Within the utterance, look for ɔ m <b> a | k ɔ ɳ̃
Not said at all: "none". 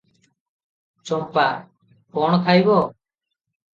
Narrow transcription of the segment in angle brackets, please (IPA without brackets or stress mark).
p